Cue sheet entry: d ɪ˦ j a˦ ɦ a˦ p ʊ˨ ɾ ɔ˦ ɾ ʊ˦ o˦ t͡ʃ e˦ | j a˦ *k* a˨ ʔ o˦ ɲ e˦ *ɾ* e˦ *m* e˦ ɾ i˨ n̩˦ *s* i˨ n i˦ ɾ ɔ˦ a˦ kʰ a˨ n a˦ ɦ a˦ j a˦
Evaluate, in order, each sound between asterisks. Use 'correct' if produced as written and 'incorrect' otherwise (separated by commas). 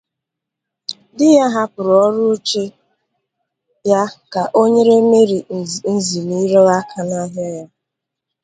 correct, correct, correct, incorrect